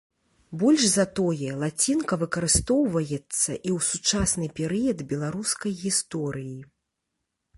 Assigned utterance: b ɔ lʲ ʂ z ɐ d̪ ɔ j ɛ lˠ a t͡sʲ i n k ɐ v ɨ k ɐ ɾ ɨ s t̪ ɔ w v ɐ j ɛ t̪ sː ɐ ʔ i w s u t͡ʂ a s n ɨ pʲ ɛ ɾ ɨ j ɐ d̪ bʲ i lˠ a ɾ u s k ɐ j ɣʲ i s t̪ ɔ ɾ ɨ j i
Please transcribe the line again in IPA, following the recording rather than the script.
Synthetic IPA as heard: b ɔ lʲ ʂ z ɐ t̪ ɔ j ɛ lˠ a t͡sʲ i n k ɐ v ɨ k ɐ ɾ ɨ s t̪ ɔ w v ɐ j ɛ t̪ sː ɐ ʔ i w s u t͡ʂ a s n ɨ pʲ ɛ ɾ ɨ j ɐ d̪ bʲ ɛ lˠ a ɾ u s k ɐ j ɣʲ i s t̪ ɔ ɾ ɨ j i